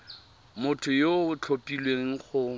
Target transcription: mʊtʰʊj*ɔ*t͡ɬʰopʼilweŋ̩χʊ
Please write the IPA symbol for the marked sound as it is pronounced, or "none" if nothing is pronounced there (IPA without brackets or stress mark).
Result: o